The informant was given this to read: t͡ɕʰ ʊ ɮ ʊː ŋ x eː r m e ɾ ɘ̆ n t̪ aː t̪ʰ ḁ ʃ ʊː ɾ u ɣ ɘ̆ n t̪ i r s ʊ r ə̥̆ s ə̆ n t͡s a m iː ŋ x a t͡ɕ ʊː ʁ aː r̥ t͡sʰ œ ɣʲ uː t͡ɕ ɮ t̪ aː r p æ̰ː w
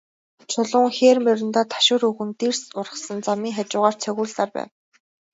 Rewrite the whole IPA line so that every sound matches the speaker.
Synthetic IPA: t͡ɕʰ ʊ ɮ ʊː ŋ x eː r m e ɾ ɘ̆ n t̪ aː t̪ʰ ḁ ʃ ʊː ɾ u ɣ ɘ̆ n t̪ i r s ʊ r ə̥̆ s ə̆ n t͡s a m iː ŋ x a t͡ɕ ʊː ʁ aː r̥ t͡sʰ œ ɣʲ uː ɮ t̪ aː r p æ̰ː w